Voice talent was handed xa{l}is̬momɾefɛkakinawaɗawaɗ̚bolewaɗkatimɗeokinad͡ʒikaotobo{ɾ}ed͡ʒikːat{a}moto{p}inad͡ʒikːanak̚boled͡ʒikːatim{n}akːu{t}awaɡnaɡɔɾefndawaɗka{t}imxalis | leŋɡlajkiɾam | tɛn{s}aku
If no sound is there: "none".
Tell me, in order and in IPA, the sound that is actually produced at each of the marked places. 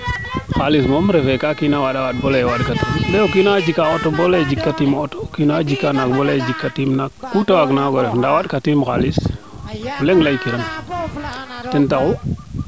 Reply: l, l, i, k, n, t, t, t

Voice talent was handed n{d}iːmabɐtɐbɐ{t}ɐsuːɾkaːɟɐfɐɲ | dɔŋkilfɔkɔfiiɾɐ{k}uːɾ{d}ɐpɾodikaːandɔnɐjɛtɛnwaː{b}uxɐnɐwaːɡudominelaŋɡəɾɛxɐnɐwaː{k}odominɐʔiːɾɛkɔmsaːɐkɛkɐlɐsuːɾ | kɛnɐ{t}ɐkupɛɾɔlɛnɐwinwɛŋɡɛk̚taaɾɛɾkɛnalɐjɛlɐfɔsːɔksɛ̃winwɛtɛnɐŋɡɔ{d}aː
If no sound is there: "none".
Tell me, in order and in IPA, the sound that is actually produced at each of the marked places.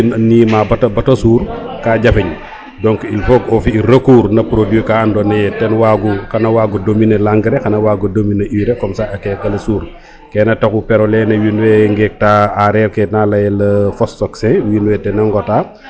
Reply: n, t, k, n, ɡ, ɡ, t, t

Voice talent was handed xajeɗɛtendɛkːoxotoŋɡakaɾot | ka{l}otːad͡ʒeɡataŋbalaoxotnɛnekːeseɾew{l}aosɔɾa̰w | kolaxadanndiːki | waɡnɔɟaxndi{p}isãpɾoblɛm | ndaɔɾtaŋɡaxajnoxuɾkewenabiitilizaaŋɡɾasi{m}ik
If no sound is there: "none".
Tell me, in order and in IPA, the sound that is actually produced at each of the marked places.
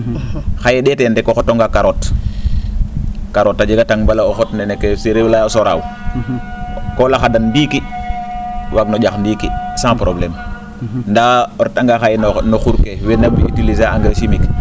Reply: ɾ, l, k, m

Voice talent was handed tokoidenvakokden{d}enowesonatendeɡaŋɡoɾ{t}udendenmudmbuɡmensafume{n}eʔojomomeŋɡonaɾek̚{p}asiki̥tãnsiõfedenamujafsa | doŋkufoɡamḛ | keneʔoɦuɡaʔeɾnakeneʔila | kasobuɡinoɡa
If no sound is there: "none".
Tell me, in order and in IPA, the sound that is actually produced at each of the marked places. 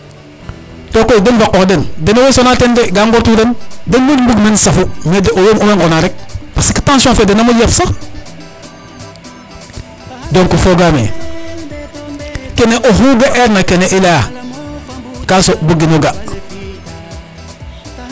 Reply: d, t, d, p

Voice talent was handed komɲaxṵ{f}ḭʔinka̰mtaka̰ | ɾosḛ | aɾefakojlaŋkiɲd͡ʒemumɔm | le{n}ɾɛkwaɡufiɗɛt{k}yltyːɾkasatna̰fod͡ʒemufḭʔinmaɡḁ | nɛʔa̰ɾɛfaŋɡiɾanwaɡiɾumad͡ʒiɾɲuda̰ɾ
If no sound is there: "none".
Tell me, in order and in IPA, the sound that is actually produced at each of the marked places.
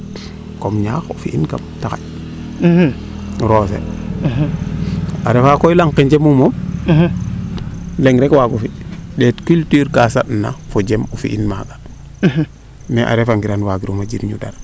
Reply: f, ŋ, k

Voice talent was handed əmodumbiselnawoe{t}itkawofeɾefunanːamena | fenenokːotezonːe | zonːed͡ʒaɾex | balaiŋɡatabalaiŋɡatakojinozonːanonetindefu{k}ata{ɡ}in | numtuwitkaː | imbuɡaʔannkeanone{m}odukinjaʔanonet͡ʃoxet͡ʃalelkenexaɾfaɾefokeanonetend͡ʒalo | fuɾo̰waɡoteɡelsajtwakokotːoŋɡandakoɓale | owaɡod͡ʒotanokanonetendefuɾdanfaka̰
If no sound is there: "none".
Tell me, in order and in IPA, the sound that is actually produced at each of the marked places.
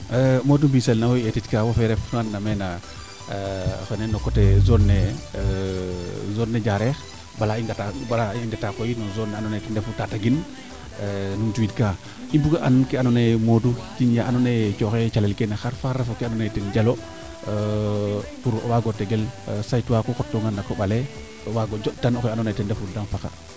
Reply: t, t, ɡ, m

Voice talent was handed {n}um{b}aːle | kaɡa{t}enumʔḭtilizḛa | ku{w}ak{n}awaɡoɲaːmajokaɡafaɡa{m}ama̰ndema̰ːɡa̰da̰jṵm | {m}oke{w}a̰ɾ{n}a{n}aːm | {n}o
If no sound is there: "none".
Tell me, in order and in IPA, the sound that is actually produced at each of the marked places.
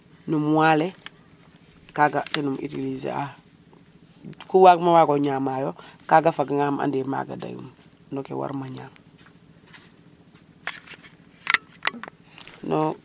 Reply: n, w, t, w, m, ŋ, n, w, m, ɲ, n

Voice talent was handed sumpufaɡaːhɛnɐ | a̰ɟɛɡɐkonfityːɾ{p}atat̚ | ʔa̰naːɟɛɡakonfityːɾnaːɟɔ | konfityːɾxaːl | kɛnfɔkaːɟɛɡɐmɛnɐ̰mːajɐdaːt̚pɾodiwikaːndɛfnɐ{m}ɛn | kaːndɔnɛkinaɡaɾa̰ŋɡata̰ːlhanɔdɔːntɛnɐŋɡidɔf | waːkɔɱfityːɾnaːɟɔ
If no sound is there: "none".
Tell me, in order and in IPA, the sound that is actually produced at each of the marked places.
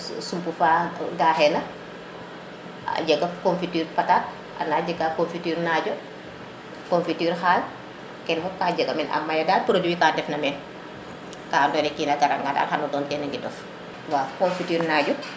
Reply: p, m

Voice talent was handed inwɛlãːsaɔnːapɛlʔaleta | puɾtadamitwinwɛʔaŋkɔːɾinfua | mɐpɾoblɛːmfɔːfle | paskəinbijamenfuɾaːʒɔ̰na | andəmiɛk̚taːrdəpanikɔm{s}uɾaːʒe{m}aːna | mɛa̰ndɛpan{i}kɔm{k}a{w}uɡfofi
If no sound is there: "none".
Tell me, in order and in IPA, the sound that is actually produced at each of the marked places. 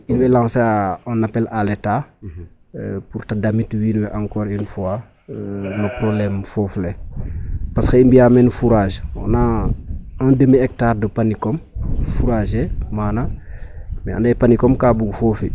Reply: f, m, i, k, b

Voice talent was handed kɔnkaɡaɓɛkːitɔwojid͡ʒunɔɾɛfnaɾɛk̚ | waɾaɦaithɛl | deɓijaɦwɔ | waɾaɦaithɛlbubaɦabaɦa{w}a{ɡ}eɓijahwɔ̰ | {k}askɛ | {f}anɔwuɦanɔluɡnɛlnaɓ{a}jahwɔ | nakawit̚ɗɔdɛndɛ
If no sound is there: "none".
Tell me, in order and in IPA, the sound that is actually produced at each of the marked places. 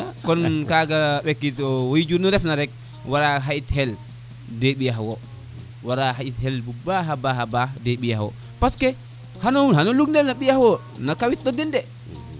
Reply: b, d, p, h, i

